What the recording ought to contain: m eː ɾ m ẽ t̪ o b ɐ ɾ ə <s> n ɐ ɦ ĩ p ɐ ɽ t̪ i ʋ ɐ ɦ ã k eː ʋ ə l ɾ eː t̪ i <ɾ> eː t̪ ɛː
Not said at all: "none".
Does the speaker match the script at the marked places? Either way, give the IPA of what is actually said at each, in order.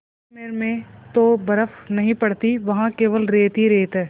f, ɾ

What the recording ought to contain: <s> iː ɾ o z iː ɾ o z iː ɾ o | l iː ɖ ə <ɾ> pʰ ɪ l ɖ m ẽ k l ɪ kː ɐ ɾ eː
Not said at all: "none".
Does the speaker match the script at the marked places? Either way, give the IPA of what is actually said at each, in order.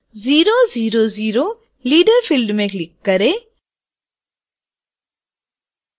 z, ɾ

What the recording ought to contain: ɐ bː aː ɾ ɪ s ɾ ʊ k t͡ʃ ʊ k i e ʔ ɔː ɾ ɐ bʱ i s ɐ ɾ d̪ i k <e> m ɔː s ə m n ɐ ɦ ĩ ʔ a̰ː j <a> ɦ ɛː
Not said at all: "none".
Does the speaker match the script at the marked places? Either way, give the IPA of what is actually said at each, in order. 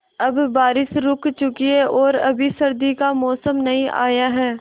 a, a

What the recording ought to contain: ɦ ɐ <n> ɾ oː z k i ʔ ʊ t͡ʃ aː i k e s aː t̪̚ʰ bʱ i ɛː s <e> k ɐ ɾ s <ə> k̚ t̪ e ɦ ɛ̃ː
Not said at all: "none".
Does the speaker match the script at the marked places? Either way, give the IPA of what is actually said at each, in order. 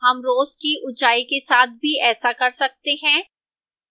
m, a, ɐ

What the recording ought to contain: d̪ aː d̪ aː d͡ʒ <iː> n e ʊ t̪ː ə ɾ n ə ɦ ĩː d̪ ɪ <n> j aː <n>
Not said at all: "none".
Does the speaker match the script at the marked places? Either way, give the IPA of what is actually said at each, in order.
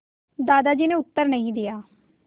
iː, none, none

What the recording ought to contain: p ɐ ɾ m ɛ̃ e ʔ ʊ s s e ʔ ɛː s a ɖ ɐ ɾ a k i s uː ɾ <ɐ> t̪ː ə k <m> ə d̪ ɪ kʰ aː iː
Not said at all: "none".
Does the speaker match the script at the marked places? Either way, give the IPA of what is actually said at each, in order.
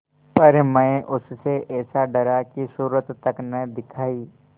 ə, n

